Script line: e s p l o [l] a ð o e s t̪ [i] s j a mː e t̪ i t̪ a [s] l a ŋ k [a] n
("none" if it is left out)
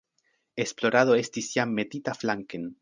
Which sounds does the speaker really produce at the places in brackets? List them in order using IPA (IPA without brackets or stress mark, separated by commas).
ɾ, i, f, e